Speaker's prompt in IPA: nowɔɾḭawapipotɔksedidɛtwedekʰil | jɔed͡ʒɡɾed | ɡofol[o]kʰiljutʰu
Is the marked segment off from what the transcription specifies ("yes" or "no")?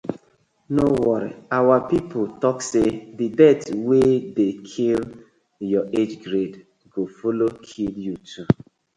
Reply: no